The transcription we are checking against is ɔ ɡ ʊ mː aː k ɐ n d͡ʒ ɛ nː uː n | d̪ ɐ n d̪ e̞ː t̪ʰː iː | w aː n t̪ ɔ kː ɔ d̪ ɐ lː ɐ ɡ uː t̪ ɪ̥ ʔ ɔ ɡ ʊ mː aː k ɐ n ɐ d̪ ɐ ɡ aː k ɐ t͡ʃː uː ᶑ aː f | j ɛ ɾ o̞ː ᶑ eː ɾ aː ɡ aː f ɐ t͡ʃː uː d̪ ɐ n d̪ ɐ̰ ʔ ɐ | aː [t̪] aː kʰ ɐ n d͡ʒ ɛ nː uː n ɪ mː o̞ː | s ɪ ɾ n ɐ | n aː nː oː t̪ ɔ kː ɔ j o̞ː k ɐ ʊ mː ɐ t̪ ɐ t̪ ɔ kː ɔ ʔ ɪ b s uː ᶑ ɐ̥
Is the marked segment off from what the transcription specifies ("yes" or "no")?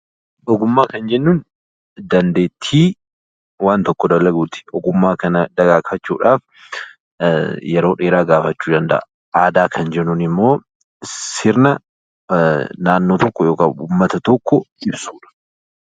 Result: yes